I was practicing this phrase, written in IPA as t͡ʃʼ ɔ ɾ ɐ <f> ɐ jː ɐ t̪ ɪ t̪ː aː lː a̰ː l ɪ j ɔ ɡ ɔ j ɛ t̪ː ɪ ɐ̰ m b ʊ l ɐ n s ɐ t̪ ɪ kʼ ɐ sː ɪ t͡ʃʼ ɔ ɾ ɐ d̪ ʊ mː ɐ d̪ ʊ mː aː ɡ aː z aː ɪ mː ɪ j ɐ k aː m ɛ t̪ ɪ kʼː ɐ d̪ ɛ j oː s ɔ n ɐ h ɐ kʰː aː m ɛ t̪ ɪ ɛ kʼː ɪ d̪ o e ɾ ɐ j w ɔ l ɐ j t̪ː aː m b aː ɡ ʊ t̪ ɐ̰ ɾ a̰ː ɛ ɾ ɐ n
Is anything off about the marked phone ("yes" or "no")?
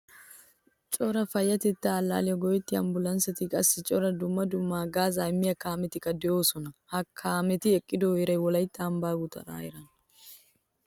no